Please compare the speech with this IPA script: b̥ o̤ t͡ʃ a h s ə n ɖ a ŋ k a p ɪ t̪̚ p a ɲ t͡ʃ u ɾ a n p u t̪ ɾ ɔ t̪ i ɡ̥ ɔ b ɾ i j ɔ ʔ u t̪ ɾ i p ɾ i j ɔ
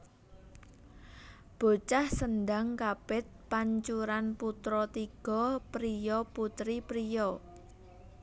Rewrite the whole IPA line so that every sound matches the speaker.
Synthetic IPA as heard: b̥ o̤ t͡ʃ a h s ə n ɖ a ŋ k a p ɪ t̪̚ p a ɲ t͡ʃ u ɾ a n p u t̪ ɾ ɔ t̪ i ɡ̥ ɔ p ɾ i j ɔ p u t̪ ɾ i p ɾ i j ɔ